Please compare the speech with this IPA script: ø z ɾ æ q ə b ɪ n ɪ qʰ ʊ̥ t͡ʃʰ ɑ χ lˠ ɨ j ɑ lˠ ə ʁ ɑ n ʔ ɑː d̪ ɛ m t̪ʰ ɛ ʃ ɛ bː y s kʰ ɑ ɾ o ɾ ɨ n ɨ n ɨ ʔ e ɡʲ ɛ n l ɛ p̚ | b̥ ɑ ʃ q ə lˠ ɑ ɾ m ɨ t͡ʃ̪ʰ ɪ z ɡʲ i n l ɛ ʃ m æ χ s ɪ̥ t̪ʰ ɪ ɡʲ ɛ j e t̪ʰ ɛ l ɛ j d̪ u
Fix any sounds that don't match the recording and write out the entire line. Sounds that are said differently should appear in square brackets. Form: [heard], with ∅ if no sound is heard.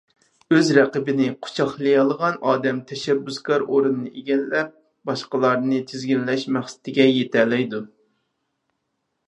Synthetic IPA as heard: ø z ɾ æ q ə b ɪ n ɪ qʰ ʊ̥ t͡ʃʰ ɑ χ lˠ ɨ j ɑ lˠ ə ʁ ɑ n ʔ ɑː d̪ ɛ m t̪ʰ ɛ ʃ ɛ bː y s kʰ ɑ ɾ o ɾ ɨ n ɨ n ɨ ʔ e ɡʲ ɛ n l ɛ p̚ | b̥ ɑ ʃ q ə lˠ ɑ ɾ [n] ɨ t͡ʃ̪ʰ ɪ z ɡʲ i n l ɛ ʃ m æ χ s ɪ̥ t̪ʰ ɪ ɡʲ ɛ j e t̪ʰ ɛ l ɛ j d̪ u